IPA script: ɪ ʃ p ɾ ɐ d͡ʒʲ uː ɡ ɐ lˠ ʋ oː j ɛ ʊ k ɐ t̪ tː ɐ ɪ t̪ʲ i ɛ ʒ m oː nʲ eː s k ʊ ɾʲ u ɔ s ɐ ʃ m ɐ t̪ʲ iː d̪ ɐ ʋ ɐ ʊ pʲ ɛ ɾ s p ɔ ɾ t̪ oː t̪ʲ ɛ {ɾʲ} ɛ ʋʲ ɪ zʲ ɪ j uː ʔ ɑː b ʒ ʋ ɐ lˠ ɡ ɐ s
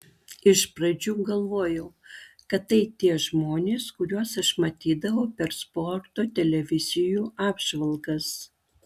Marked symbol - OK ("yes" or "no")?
no